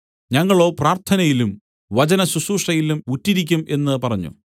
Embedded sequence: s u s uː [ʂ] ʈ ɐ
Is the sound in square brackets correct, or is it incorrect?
correct